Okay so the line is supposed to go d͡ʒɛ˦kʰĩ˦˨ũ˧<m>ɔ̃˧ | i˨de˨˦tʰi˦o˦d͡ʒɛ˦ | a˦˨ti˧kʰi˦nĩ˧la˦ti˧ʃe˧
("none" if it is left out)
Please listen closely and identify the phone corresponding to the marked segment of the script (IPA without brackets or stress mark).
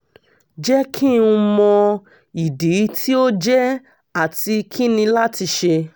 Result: m